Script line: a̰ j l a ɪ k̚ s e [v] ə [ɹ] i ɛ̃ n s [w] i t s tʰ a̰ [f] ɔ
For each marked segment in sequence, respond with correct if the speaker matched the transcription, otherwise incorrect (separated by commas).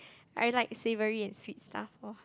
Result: correct, correct, correct, correct